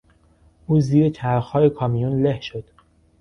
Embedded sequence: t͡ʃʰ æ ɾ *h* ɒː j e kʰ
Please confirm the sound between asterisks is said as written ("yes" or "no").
no